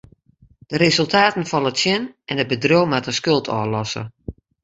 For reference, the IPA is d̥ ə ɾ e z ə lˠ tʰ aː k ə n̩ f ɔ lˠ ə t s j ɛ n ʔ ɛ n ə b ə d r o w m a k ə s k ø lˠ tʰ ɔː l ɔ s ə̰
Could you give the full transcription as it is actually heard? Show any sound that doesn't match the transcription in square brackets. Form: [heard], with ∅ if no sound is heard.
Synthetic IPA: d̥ ə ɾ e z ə lˠ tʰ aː [t] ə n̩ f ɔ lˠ ə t s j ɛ n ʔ ɛ n ə b ə d r o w m a [t] ə s k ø lˠ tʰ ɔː l ɔ s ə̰